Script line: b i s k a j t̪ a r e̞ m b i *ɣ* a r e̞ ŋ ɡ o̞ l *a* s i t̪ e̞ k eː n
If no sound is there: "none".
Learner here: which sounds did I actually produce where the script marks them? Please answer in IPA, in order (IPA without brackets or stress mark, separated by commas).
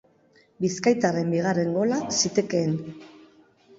ɣ, a